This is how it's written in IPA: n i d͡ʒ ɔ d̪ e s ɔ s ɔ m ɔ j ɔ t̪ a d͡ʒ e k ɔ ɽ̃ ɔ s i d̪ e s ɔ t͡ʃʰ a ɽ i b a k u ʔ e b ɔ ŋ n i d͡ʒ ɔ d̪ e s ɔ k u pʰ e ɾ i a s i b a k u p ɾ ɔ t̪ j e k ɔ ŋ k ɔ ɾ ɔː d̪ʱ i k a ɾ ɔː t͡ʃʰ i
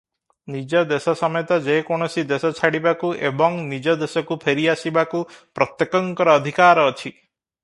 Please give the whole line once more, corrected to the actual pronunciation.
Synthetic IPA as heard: n i d͡ʒ ɔ d̪ e s ɔ s ɔ m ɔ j ɔ t̪ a d͡ʒ e k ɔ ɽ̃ ɔ s i d̪ e s ɔ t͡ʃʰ a ɽ i b a k u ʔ e b ɔ ŋ n i d͡ʒ ɔ d̪ e s ɔ k u pʰ e ɾ i a s i b a k u p ɾ ɔ t̪ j e k ɔ ŋ k ɔ ɾ ɔː d̪ʱ i k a ɾ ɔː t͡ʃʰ i